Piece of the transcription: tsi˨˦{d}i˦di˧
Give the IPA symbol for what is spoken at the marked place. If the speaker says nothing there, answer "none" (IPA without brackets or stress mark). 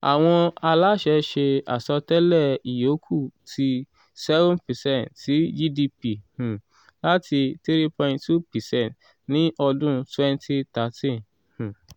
d͡ʒ